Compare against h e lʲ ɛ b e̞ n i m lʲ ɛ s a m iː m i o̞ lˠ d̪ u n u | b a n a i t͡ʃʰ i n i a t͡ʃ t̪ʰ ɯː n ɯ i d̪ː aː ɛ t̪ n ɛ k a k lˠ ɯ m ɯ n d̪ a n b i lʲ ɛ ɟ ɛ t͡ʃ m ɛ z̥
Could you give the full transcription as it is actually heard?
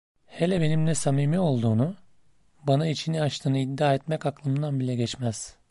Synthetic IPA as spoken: h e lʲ ɛ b e̞ n i m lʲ ɛ s a m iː m i o̞ lˠ d̪ uː n u | b a n a i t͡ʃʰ i n i a t͡ʃ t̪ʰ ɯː n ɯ i d̪ː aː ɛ t̪ m ɛ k a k lˠ ɯ m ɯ n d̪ a n b i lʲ ɛ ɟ ɛ t͡ʃ m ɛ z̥